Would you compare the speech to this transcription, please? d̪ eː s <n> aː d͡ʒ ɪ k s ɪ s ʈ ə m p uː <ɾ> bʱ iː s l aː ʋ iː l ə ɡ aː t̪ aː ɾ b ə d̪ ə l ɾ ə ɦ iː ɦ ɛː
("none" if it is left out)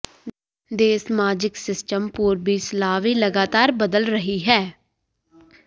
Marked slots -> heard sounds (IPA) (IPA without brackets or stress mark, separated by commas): m, ɾ